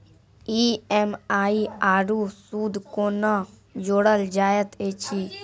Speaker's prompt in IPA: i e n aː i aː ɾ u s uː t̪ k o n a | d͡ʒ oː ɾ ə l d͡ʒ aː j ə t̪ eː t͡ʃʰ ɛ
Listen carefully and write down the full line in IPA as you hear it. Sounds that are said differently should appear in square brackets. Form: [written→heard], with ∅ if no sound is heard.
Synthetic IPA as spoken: i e [n→m] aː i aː ɾ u s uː [t̪→d̪] k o n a | d͡ʒ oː [ɾ→ɽ] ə l d͡ʒ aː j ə t̪ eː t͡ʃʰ [ɛ→i]